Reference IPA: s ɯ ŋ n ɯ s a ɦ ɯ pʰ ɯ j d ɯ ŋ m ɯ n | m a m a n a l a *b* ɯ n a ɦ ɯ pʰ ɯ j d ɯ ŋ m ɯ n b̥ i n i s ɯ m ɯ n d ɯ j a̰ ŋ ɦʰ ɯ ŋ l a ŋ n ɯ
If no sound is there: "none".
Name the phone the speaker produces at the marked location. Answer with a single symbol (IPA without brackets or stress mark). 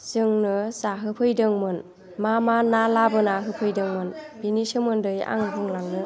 b